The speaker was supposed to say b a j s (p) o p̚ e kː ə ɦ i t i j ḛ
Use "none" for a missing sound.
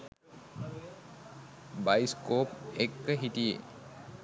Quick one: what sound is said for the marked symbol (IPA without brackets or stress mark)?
k